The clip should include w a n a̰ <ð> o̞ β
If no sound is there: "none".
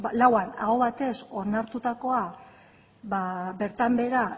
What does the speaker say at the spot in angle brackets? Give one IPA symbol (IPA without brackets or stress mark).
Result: ɣ